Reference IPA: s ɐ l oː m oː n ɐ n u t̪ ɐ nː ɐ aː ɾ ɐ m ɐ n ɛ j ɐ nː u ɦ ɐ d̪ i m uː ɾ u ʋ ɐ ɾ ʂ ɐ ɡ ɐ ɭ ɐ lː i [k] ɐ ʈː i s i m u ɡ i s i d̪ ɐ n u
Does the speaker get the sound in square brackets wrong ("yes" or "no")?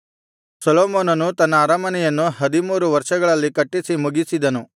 no